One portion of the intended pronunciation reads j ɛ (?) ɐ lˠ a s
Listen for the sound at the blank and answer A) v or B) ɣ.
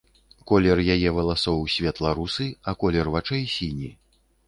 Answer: A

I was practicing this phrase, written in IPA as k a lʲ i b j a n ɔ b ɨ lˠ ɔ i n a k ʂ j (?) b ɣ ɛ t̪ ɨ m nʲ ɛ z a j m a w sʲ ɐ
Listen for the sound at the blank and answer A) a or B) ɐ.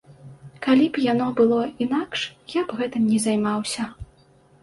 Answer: A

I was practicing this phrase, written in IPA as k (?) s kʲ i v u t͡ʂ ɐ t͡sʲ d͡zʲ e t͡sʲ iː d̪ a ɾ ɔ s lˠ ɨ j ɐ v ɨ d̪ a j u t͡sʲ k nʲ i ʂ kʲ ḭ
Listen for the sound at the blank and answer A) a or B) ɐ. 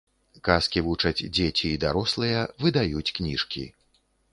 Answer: A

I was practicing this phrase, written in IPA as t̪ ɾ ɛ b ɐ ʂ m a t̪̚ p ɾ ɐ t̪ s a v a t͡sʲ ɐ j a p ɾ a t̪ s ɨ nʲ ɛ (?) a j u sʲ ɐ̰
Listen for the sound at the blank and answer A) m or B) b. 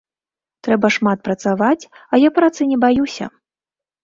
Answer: B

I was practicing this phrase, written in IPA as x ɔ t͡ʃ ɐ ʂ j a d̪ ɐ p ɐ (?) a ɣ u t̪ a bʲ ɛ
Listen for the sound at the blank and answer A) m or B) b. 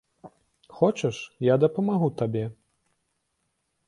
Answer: A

